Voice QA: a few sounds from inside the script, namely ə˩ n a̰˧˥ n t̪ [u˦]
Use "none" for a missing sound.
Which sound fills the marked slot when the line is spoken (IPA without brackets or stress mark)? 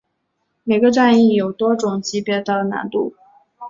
u˥˩